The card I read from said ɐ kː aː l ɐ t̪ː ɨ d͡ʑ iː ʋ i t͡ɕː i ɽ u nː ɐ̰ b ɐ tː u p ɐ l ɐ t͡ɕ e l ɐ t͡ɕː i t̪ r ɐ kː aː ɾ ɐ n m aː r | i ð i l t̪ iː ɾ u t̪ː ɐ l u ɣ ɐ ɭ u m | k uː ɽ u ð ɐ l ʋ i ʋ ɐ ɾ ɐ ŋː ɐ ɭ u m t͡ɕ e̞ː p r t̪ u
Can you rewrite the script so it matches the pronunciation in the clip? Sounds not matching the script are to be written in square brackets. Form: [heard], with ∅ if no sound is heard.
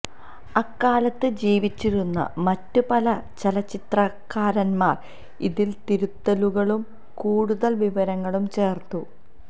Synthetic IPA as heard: ɐ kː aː l ɐ t̪ː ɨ d͡ʑ iː ʋ i t͡ɕː i [ɾ] u nː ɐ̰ [m] ɐ tː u p ɐ l ɐ t͡ɕ e l ɐ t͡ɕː i t̪ r ɐ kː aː ɾ ɐ n m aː r | i ð i l t̪ [i] ɾ u t̪ː ɐ l u ɣ ɐ ɭ u m | k uː ɽ u ð ɐ l ʋ i ʋ ɐ ɾ ɐ ŋː ɐ ɭ u m t͡ɕ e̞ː [∅] r t̪ u